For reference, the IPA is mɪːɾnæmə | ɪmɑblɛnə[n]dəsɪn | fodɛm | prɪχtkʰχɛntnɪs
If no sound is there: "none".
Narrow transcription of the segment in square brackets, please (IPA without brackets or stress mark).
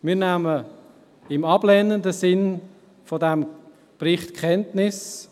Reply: n